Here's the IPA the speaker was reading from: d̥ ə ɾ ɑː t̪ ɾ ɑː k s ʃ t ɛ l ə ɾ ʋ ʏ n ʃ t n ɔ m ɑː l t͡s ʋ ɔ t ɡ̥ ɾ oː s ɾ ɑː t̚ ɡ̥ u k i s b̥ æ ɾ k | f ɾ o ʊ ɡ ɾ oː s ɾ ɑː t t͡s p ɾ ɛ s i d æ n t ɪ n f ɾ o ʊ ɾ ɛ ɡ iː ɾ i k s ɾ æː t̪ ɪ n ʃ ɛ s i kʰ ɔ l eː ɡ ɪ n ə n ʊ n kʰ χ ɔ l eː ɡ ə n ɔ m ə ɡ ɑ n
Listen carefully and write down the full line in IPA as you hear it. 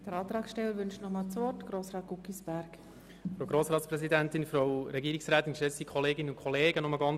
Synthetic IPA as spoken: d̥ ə ɾ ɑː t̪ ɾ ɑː k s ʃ t ɛ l ə ɾ ʋ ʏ n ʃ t n ɔ m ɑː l t͡s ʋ ɔ t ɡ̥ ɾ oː s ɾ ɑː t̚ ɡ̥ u k i s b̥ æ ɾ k | f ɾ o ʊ ɡ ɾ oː s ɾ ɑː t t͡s p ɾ ɛ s i d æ n t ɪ n f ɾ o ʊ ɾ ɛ ɡ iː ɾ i k s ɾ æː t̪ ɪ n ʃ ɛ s i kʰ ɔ l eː ɡ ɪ n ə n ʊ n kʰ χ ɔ l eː ɡ ə n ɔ m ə ɡ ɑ n